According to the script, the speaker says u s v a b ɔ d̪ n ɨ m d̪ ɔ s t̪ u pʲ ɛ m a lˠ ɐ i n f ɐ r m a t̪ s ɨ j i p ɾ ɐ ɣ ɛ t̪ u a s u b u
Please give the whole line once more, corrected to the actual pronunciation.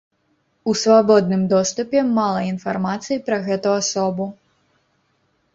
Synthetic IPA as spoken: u s v a b ɔ d̪ n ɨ m d̪ ɔ s t̪ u pʲ ɛ m a lˠ ɐ i n f a r m a t̪ s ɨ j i p ɾ ɐ ɣ ɛ t̪ u a s ɔ b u